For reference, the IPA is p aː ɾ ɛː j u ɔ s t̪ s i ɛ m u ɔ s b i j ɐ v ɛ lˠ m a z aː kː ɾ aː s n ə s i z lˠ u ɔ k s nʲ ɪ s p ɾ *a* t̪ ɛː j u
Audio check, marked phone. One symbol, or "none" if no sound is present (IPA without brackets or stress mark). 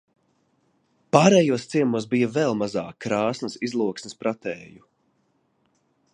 a